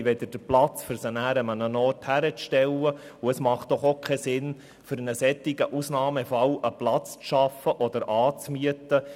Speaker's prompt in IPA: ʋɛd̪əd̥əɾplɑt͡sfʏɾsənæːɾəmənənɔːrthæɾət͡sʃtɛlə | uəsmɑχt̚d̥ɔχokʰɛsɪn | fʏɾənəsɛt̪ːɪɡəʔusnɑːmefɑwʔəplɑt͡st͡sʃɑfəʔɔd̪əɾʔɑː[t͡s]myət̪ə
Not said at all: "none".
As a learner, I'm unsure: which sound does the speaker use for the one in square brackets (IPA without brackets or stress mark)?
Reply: t͡s